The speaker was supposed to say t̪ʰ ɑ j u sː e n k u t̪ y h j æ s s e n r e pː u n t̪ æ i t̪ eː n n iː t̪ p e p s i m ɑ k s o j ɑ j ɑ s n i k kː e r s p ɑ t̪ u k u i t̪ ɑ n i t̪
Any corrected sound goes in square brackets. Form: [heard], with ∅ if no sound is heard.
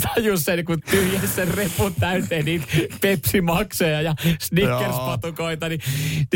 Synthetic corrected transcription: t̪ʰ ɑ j u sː e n k u t̪ y h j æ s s e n r e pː u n t̪ æ [y] t̪ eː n n iː t̪ p e p s i m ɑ k s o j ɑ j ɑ s n i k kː e r s p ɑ t̪ u k [o] i t̪ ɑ n i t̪